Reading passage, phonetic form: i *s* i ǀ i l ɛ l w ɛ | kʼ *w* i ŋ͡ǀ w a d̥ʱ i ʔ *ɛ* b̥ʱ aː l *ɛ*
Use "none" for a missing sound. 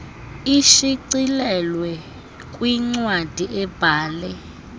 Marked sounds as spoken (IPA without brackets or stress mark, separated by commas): ʃ, w, ɛ, ɛ